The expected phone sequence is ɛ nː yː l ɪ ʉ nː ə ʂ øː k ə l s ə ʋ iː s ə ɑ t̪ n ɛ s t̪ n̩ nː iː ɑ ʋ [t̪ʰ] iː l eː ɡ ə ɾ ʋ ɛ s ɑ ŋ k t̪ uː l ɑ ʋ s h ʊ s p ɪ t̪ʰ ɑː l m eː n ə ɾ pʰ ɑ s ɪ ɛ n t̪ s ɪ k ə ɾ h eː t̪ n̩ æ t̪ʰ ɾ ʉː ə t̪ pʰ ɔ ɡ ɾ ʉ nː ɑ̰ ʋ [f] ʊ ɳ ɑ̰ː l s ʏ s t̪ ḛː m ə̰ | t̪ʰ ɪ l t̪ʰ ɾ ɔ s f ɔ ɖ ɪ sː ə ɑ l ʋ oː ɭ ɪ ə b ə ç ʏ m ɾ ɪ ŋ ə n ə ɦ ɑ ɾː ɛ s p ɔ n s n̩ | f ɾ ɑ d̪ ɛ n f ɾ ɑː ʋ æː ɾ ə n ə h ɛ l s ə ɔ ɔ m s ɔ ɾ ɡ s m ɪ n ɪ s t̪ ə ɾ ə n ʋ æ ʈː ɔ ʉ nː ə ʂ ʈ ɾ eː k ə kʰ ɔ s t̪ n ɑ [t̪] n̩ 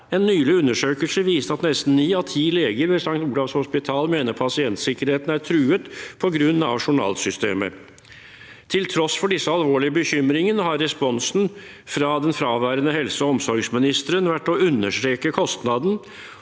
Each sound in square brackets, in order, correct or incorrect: correct, incorrect, incorrect

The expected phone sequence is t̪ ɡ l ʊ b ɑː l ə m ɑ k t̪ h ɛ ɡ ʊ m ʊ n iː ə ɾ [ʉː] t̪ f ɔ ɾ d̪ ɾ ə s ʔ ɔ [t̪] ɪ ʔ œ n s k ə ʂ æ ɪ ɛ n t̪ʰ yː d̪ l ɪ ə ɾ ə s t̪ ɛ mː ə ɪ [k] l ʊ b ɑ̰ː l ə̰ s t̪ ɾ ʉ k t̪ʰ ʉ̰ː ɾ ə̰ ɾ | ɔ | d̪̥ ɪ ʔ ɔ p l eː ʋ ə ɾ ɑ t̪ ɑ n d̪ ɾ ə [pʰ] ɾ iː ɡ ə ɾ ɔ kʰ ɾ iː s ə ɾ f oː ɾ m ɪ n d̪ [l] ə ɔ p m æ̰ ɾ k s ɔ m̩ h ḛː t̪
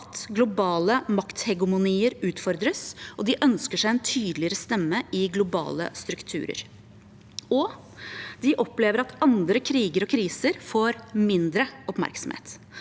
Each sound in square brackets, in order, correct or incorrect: correct, incorrect, incorrect, incorrect, incorrect

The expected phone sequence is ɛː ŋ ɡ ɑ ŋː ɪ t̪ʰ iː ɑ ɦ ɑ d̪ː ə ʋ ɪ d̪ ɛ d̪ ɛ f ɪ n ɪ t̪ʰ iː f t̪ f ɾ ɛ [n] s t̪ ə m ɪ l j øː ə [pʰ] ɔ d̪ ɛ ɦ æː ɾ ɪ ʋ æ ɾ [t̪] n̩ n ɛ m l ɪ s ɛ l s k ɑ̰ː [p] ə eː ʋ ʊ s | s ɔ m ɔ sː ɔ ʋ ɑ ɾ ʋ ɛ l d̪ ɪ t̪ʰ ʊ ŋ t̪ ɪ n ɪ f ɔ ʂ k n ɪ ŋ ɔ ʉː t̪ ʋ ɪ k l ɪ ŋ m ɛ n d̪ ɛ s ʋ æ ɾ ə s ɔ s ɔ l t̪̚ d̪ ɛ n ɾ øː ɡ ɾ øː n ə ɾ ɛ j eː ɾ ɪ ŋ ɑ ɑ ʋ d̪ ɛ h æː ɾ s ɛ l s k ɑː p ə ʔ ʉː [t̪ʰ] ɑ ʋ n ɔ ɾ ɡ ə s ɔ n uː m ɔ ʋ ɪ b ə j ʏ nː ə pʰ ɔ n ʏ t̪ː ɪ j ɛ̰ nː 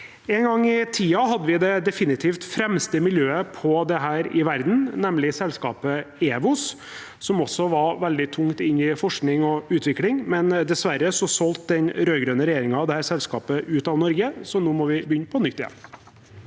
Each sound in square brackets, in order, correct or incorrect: incorrect, correct, incorrect, correct, incorrect

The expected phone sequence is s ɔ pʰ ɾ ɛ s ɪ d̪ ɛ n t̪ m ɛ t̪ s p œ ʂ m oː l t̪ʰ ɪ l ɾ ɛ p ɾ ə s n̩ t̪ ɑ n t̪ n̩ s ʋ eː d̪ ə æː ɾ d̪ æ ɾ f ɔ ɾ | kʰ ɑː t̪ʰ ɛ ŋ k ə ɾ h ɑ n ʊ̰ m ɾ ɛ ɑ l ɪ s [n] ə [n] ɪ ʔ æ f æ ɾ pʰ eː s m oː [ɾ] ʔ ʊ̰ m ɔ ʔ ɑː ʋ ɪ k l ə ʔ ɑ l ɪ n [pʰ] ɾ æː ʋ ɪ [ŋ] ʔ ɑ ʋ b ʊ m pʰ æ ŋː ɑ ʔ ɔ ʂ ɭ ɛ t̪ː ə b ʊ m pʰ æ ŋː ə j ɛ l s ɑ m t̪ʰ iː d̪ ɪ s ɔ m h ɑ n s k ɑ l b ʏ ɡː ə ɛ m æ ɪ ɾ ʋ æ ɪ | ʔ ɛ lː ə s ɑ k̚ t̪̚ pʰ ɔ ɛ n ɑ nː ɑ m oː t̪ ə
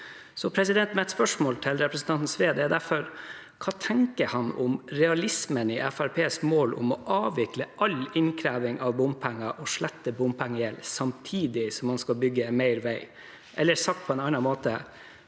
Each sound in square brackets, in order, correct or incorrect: incorrect, correct, incorrect, incorrect, correct

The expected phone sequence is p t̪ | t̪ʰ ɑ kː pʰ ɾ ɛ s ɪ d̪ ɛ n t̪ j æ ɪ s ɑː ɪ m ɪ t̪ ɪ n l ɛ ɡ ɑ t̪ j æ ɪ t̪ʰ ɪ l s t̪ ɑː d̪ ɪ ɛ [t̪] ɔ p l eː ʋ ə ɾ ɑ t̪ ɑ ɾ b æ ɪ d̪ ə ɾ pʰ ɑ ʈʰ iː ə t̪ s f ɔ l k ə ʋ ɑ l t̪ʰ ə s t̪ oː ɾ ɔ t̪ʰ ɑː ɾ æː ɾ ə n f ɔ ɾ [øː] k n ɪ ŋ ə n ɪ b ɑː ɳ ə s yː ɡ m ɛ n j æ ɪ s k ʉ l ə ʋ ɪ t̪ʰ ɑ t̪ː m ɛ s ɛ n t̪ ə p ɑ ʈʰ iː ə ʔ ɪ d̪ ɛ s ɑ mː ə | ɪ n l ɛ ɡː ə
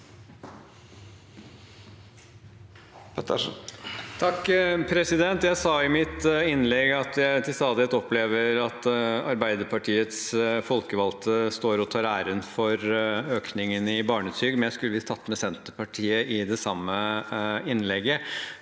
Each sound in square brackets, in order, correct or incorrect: correct, correct

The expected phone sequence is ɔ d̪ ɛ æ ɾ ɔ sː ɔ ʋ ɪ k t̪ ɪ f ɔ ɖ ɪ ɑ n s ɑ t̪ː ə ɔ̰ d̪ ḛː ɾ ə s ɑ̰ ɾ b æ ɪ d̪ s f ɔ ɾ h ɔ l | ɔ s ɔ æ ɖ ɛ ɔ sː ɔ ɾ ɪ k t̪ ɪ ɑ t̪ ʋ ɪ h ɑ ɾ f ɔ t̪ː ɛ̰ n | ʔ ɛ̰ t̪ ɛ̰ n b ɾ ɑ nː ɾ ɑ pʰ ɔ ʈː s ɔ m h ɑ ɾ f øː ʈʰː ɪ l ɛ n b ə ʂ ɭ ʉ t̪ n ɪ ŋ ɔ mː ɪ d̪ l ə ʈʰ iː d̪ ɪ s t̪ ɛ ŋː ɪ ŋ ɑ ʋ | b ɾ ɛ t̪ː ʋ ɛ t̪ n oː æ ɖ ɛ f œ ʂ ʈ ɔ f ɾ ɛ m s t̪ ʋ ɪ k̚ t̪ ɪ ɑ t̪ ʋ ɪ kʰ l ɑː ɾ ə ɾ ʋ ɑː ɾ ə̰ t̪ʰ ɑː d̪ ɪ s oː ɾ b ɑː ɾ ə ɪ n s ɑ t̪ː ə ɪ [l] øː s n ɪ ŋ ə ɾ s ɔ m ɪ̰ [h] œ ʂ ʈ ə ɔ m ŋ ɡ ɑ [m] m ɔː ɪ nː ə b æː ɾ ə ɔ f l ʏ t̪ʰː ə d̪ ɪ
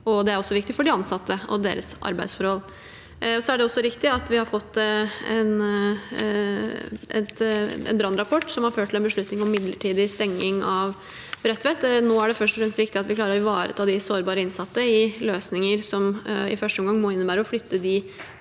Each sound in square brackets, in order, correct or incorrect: correct, incorrect, incorrect

